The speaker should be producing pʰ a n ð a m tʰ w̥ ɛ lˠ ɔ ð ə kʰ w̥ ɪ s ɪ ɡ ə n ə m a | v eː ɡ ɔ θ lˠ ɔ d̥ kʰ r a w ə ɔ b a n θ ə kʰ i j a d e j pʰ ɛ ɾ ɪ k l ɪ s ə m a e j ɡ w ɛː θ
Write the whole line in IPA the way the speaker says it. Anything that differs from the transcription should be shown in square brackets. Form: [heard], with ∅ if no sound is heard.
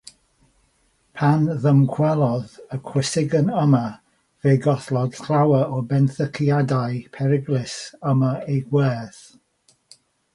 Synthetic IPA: pʰ a n ð [ə] m [kʰ] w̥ ɛ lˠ ɔ ð ə kʰ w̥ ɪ s ɪ ɡ ə n ə m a | v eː ɡ ɔ θ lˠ ɔ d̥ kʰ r a w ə ɔ b [ɛ] n θ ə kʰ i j a d [a] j pʰ ɛ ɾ ɪ [ɡ] l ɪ s ə m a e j ɡ w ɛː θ